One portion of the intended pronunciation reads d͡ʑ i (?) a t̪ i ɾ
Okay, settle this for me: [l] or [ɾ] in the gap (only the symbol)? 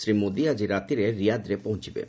ɾ